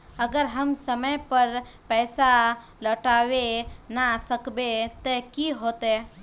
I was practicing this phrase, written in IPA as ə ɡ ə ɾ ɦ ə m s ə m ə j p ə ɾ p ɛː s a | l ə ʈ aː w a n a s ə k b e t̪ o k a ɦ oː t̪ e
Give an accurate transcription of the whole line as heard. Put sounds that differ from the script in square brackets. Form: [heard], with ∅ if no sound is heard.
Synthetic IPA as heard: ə ɡ ə ɾ ɦ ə m s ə m ə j p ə ɾ p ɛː s a | l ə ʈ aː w [e] n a s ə k b e t̪ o k [i] ɦ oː t̪ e